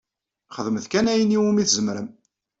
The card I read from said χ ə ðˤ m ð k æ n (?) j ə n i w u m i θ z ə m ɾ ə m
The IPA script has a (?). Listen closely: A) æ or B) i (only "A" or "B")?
A